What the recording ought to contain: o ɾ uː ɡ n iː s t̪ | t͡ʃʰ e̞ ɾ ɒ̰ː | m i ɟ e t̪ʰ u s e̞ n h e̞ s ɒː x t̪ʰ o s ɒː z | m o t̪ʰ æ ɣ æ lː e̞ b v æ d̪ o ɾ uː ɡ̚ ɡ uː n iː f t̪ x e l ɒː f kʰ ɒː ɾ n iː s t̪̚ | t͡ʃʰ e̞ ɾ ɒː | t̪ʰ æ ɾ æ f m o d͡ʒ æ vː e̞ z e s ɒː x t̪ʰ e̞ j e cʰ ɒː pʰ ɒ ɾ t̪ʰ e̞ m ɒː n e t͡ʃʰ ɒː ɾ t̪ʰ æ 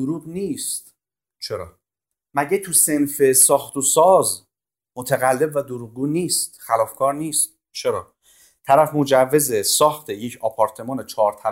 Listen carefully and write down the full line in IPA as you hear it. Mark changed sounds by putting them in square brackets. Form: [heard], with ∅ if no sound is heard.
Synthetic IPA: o ɾ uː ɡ n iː s t̪ | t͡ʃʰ e̞ ɾ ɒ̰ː | m [æ] ɟ e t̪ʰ u s e̞ n [f] e̞ s ɒː x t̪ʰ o s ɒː z | m o t̪ʰ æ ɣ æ lː e̞ b v æ d̪ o ɾ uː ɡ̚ ɡ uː n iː [s] t̪ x [æ] l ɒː f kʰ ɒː ɾ n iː s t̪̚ | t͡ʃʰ e̞ ɾ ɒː | t̪ʰ æ ɾ æ f m o d͡ʒ æ vː e̞ z e s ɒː x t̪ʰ e̞ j e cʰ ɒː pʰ ɒ ɾ t̪ʰ e̞ m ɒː n e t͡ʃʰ ɒː ɾ t̪ʰ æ